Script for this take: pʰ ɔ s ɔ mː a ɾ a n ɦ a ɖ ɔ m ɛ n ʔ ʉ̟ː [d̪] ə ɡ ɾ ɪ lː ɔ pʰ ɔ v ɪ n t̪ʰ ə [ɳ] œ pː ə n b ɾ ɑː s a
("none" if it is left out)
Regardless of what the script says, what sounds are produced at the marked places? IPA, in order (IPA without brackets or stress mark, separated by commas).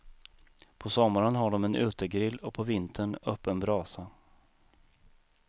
t̪, ɳ